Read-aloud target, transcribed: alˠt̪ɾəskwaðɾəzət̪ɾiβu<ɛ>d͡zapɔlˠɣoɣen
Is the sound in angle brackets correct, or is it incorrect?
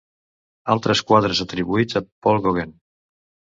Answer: incorrect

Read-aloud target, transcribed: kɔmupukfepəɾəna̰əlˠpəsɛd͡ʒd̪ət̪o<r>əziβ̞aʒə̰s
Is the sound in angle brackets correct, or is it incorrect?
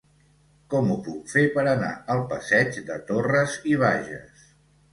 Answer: correct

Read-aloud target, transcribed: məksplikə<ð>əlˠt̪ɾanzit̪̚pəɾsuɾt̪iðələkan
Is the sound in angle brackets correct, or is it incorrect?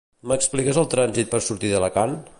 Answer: incorrect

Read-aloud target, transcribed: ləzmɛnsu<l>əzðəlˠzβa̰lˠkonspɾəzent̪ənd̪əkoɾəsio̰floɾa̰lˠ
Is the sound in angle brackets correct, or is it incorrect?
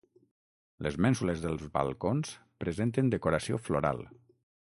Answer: correct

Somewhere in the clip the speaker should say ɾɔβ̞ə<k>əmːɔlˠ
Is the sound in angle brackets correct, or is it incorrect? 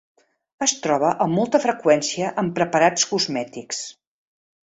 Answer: incorrect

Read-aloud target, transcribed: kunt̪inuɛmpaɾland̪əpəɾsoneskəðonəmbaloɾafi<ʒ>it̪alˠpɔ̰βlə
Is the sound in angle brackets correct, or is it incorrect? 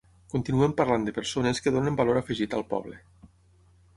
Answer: correct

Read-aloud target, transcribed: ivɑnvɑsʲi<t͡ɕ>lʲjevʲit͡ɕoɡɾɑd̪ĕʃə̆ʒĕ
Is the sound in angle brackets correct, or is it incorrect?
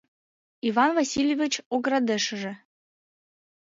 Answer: incorrect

